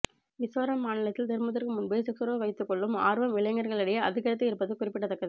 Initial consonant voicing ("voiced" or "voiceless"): voiced